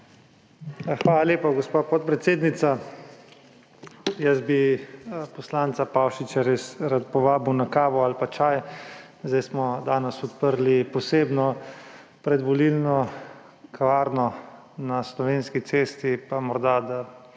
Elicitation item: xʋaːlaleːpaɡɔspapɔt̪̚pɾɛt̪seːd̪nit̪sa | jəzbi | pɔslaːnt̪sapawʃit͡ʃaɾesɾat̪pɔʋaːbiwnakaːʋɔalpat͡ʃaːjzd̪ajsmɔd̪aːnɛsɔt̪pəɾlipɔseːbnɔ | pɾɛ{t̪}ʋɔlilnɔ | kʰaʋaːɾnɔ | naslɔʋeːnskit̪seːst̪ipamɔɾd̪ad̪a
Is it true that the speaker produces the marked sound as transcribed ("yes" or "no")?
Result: no